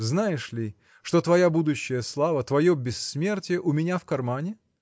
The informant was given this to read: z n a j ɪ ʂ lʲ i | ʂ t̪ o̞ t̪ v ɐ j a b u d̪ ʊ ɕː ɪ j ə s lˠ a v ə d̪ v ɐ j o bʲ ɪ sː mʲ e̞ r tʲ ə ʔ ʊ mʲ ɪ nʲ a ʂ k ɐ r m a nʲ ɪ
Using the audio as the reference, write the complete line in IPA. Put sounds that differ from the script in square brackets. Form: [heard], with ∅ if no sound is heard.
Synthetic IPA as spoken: z n a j ɪ ʂ lʲ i | ʂ t̪ o̞ t̪ v ɐ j a b u d̪ ʊ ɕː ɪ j ə s lˠ a v ə [t̪] v ɐ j o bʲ ɪ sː mʲ e̞ r tʲ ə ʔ ʊ mʲ ɪ nʲ a [f] k ɐ r m a nʲ ɪ